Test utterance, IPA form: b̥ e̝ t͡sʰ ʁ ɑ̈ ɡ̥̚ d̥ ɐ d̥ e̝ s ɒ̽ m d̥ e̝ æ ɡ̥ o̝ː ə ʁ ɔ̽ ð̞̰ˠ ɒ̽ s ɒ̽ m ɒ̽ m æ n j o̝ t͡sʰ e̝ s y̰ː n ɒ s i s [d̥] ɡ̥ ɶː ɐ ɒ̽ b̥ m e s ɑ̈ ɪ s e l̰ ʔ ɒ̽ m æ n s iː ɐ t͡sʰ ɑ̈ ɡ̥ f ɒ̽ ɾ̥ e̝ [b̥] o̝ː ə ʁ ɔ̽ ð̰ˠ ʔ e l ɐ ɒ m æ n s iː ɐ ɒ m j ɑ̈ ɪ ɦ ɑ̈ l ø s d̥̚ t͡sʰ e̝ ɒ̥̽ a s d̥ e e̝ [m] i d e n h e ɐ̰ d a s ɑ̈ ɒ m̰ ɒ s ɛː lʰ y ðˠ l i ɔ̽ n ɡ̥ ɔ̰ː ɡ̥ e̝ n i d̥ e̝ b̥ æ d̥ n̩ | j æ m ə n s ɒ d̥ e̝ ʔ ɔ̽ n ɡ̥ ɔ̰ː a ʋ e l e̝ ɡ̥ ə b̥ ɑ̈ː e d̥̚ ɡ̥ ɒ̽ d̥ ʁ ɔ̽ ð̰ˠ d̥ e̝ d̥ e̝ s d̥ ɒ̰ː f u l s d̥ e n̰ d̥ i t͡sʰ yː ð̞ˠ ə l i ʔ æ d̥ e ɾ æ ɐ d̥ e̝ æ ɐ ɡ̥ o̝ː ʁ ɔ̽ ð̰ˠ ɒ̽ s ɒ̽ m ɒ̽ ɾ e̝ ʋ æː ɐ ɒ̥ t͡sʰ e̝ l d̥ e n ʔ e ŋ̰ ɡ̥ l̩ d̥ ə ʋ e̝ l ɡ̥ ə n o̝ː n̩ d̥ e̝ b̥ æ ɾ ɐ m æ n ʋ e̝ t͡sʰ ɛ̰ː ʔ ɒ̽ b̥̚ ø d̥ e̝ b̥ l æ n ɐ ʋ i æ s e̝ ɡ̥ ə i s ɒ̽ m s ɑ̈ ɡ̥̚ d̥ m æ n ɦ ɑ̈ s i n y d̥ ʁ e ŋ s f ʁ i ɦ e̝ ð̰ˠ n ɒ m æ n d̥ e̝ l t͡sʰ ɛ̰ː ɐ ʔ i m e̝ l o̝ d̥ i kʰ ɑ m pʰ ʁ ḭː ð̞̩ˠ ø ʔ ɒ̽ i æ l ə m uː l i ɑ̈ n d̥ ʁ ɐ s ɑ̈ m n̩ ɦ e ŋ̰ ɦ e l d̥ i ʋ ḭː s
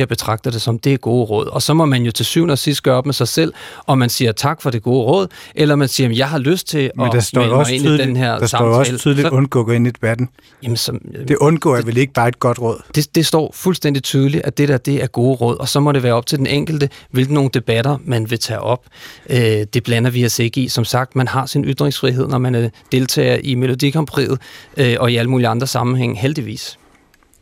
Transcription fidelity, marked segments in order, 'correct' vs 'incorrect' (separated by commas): correct, incorrect, incorrect